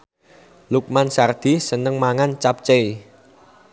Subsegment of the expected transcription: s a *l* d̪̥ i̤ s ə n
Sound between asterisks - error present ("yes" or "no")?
yes